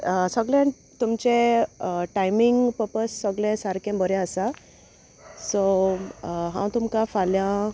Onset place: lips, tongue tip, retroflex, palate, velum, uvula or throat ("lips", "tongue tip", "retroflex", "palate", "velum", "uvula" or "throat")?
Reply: tongue tip